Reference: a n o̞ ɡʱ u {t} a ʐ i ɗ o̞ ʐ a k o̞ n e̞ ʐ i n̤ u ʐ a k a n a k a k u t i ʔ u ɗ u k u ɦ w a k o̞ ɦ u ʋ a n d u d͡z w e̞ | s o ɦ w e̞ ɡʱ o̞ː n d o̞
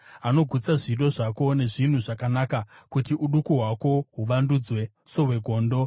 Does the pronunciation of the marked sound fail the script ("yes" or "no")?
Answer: yes